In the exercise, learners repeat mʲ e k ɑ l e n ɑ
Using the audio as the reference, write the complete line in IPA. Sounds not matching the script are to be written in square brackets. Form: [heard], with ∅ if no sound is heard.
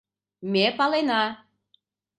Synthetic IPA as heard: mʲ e [p] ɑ l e n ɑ